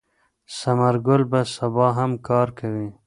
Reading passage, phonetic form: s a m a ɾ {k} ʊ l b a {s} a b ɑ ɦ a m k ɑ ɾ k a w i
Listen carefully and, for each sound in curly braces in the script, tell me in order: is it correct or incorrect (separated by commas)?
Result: incorrect, correct